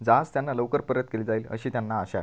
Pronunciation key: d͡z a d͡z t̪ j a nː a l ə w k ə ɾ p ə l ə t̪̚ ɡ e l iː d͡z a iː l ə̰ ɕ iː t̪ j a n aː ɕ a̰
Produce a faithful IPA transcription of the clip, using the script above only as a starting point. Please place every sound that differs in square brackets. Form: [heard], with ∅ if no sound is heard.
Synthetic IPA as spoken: d͡z a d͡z t̪ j a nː a l ə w k ə ɾ p ə [ɾ] ə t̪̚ [k] e l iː d͡z a iː l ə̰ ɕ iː t̪ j a [nː] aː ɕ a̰